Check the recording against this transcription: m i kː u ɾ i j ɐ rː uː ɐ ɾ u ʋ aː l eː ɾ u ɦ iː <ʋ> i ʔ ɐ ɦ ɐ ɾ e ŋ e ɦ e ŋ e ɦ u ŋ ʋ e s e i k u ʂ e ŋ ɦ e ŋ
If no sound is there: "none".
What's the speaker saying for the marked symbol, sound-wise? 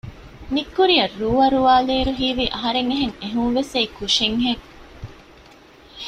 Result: ʋ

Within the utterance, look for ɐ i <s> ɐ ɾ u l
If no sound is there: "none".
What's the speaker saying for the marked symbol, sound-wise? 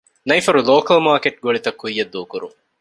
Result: f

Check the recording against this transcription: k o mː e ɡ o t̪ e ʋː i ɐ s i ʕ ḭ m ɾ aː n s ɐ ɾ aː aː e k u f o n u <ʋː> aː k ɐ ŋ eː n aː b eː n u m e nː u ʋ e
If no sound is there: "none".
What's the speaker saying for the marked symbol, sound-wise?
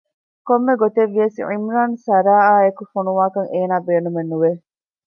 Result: ʋ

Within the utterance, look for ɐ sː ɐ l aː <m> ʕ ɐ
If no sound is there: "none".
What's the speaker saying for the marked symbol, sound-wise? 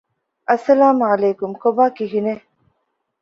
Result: m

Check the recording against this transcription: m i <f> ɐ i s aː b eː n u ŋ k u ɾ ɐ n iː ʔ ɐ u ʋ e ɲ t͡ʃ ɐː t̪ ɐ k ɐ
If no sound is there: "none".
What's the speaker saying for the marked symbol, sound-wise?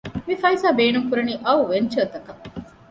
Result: f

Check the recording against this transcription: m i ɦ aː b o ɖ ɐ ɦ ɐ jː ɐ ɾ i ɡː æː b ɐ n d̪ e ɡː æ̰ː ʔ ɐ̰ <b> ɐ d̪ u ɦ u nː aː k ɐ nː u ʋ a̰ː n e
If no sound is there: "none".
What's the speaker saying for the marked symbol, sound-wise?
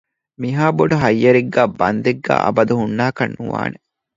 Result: b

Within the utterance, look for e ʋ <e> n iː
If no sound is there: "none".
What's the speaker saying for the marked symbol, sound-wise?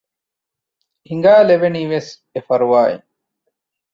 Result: e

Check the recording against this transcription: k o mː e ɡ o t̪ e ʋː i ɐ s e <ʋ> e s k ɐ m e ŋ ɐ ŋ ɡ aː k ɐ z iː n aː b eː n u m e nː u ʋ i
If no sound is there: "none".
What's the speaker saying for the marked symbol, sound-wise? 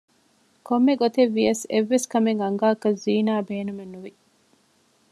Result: ʋː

